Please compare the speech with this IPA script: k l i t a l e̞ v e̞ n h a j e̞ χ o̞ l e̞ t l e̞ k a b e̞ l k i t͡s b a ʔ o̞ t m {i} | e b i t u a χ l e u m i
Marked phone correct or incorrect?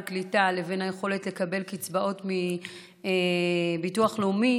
correct